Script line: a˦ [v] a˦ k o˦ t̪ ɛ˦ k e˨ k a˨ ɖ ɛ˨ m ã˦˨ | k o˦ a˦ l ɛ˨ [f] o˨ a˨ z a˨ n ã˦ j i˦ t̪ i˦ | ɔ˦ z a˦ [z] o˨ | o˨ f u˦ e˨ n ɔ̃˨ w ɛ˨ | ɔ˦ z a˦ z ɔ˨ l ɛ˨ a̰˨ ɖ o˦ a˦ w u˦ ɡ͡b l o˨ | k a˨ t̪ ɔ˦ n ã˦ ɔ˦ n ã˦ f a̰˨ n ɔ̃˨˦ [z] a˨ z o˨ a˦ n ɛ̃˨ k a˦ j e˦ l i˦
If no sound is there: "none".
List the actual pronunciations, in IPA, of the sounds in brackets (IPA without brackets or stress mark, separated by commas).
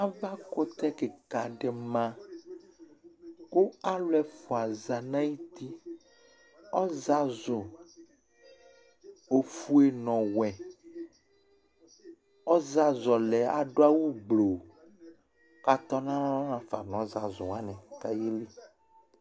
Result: v, f, z, z